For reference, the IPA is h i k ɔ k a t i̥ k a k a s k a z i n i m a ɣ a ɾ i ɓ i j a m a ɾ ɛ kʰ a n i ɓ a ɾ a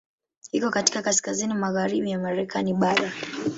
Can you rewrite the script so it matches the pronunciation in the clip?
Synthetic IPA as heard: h i k ɔ k a t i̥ k a k a s k a z i n i m a ɣ a ɾ i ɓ i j a m a ɾ ɛ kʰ a n i ɓ a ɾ a